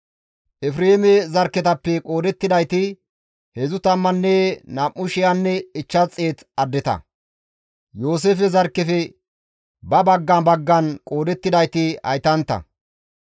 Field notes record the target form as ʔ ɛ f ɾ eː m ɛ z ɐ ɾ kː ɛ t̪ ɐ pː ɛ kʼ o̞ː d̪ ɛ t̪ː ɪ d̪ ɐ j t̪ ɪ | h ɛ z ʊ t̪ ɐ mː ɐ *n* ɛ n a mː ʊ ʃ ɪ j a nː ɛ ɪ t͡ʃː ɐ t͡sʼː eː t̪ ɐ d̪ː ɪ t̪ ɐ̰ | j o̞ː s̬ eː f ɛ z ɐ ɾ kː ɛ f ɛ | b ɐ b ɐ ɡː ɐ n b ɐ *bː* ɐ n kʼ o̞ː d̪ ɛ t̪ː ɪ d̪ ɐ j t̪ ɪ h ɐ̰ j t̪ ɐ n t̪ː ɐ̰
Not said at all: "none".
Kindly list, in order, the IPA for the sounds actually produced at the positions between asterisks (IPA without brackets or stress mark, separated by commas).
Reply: nː, ɡː